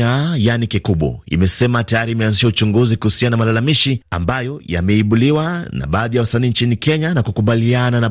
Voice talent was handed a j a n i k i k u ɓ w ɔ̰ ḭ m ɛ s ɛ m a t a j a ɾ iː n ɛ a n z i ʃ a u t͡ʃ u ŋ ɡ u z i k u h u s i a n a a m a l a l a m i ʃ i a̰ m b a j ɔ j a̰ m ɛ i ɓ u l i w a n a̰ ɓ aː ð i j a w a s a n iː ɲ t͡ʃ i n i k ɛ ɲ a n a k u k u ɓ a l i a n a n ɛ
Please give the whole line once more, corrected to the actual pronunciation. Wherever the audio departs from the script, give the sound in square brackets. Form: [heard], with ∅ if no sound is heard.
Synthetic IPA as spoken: a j a n i k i k u ɓ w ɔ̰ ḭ m ɛ s ɛ m a t a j a ɾ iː [m] ɛ a n z i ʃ a u t͡ʃ u ŋ ɡ u z i k u h u s i a n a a m a l a l a m i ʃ i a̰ m b a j ɔ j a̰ m ɛ i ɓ u l i w a n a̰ ɓ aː ð i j a w a s a n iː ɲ t͡ʃ i n i k ɛ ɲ a n a k u k u ɓ a l i a n a n [a]